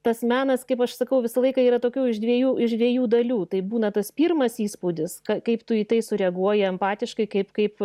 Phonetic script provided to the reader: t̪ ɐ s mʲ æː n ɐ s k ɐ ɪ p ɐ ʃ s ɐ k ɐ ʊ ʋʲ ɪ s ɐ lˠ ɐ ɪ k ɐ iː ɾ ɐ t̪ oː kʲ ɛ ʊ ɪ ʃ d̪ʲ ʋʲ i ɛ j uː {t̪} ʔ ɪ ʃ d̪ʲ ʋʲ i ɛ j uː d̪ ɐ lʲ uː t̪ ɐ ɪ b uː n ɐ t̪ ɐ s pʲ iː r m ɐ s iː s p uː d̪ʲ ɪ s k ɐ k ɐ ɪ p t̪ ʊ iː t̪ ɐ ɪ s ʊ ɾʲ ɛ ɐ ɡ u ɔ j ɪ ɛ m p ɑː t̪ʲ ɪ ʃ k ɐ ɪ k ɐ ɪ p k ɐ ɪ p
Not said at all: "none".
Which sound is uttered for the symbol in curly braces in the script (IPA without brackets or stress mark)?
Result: none